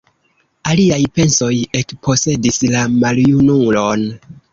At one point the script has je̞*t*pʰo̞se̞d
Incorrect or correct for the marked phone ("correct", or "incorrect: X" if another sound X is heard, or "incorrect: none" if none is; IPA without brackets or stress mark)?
incorrect: k